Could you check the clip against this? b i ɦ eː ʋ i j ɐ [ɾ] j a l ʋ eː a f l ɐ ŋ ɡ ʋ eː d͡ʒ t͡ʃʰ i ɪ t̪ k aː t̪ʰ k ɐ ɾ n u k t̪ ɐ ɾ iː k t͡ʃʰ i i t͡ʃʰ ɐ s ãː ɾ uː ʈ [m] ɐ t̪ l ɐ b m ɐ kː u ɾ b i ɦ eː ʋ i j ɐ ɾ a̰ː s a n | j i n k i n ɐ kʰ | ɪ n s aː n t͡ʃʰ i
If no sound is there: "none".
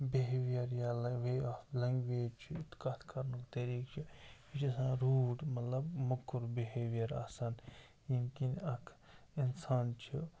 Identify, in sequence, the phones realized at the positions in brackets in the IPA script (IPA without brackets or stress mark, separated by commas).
ɾ, m